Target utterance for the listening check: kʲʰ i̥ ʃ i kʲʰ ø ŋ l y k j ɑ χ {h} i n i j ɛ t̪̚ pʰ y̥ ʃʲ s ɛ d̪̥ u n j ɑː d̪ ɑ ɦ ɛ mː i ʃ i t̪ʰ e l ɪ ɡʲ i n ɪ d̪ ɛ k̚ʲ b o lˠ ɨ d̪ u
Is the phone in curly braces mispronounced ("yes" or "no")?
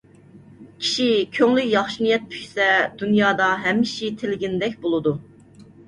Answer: yes